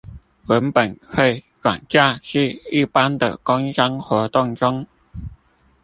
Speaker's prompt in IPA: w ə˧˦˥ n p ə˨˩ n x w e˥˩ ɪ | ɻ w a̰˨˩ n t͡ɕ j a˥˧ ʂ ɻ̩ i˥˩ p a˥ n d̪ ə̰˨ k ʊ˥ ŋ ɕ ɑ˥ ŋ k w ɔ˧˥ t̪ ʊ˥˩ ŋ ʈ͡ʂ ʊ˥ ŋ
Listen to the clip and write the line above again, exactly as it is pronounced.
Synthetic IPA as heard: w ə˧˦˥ n p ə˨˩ n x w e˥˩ ɪ | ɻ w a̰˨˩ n t͡ɕ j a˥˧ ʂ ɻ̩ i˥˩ p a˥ n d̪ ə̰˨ k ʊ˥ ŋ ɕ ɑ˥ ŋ x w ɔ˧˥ t̪ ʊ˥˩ ŋ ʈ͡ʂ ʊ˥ ŋ